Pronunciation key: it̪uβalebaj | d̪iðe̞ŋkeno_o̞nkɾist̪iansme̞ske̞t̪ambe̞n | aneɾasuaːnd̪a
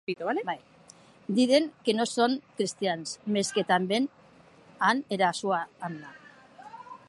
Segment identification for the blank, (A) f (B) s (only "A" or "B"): B